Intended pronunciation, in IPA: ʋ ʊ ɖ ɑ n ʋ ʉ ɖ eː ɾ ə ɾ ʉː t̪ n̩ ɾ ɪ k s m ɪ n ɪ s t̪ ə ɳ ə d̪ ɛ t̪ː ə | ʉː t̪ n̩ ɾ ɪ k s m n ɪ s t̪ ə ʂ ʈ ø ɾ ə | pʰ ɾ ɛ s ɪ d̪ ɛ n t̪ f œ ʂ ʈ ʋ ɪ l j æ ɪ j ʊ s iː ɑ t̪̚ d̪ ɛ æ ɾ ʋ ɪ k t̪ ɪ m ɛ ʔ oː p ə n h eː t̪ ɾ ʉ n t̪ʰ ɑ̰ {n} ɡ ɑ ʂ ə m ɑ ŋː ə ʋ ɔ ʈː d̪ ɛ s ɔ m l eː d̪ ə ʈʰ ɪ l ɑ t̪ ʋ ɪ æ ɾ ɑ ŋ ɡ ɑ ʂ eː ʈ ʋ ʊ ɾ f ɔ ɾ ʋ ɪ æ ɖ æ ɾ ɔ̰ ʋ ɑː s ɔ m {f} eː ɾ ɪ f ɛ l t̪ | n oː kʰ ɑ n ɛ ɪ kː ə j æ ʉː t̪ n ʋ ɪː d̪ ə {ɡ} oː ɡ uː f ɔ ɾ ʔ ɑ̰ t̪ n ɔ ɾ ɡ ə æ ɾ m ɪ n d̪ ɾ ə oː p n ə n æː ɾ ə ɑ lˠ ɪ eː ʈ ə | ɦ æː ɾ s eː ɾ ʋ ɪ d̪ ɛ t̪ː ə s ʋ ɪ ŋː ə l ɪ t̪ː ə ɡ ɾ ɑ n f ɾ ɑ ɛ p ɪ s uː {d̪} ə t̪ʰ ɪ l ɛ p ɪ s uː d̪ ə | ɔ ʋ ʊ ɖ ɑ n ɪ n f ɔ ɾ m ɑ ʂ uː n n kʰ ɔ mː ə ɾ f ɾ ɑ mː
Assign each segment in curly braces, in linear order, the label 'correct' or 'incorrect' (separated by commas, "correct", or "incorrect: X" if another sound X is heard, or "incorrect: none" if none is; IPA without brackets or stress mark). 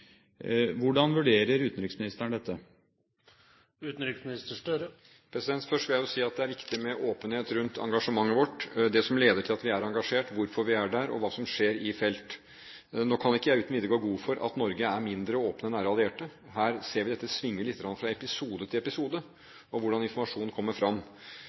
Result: incorrect: ŋ, incorrect: ʂ, correct, correct